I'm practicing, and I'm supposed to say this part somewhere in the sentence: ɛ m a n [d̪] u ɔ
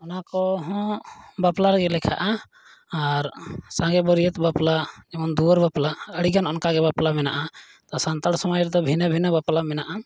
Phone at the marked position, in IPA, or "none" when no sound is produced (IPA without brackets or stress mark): d̪